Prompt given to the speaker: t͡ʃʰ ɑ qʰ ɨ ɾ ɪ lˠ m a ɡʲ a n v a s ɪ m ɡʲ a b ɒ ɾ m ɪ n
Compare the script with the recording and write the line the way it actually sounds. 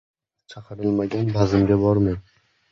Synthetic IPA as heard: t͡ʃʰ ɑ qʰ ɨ ɾ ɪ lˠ m a ɡʲ a n b a z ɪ m ɡʲ a b ɒ ɾ m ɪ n